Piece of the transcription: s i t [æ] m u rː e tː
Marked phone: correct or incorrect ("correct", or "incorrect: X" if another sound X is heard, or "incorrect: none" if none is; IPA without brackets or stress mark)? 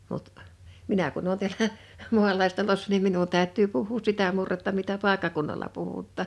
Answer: correct